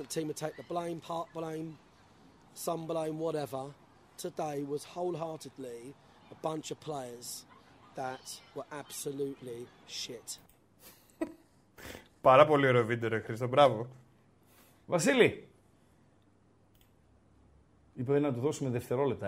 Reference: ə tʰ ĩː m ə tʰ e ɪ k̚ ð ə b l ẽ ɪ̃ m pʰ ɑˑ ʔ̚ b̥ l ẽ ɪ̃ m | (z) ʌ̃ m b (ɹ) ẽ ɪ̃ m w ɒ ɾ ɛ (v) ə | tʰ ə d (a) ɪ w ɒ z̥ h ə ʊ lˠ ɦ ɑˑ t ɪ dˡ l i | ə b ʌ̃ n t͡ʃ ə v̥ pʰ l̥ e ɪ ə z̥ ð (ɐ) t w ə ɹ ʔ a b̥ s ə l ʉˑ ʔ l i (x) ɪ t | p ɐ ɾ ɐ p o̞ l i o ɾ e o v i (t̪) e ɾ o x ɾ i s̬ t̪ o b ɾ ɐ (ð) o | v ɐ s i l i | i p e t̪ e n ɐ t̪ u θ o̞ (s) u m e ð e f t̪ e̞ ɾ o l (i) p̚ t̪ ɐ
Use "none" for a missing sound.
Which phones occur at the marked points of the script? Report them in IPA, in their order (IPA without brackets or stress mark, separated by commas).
s, l, v, e, ə, ʃ, d̪, v, s, e